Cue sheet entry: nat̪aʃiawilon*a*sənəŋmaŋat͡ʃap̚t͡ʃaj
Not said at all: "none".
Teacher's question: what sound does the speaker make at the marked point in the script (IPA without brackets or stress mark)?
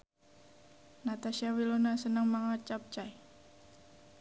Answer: a